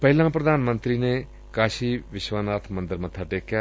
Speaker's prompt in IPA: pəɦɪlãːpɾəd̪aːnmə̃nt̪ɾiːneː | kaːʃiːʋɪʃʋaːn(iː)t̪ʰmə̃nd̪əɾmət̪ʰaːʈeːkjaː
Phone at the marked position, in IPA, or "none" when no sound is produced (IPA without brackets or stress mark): aː